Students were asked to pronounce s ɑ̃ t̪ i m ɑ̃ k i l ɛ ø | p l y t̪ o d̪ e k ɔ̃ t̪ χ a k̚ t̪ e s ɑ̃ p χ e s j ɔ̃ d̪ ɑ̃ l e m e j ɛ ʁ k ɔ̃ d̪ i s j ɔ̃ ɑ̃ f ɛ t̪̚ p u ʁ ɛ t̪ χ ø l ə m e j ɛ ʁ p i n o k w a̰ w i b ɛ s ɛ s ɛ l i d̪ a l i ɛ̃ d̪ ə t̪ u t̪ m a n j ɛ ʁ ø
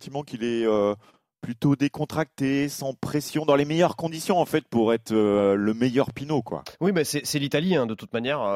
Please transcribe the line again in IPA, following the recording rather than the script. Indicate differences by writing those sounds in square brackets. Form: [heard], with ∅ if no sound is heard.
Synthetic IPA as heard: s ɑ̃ t̪ i m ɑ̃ k i l ɛ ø | p l y t̪ o d̪ e k ɔ̃ t̪ χ a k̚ t̪ e s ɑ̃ p χ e s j ɔ̃ d̪ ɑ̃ l e m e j [œ] ʁ k ɔ̃ d̪ i s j ɔ̃ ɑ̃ f ɛ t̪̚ p u ʁ ɛ t̪ χ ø l ə m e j [œ] ʁ p i n o k w a̰ w i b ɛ s ɛ s ɛ l i [t̪] a l i ɛ̃ d̪ ə t̪ u t̪ m a n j ɛ ʁ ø